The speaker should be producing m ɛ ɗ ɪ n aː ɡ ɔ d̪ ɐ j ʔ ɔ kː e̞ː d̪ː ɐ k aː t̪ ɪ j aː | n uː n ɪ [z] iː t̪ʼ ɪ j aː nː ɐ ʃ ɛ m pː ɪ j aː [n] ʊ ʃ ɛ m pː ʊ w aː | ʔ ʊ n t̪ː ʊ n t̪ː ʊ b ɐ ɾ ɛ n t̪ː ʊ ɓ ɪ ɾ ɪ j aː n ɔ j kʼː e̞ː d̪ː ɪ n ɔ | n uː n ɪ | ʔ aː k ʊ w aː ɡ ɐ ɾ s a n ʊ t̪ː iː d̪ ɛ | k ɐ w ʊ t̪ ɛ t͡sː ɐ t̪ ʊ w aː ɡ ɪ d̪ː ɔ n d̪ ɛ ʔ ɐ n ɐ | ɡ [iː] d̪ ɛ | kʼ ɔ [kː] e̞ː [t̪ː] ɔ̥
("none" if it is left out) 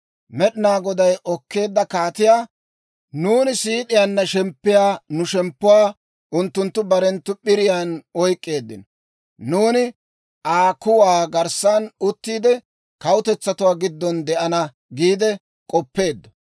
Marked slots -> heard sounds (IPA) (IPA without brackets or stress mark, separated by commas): s, n, iː, pː, d̪ː